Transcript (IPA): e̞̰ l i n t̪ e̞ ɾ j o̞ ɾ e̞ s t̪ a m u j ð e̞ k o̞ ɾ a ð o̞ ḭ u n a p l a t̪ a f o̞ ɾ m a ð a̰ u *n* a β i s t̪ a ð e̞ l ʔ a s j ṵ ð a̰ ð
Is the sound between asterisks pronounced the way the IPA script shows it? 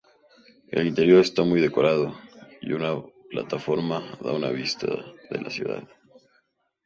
yes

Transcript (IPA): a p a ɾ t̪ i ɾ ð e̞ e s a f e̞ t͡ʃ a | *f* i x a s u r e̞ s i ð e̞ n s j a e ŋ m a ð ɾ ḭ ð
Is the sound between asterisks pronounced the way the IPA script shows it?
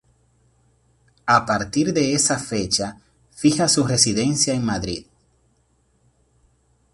yes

